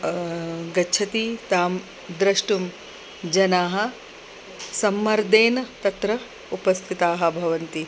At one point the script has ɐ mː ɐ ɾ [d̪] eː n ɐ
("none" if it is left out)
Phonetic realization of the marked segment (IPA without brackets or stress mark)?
d̪